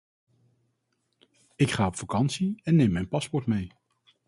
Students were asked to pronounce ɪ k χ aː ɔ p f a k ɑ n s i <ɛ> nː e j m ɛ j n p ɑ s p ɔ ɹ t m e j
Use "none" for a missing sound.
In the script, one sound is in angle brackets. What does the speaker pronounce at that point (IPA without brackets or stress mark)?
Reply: ɛ